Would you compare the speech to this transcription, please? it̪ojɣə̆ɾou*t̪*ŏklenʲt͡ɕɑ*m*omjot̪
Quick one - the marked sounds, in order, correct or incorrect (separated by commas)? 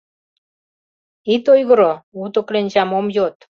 correct, correct